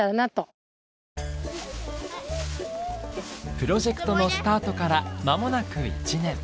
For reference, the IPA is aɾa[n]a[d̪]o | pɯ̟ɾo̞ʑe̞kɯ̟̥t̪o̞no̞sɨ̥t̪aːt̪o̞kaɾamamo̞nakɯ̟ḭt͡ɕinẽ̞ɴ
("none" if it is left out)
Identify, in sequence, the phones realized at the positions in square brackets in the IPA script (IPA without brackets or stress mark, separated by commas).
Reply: n, t̪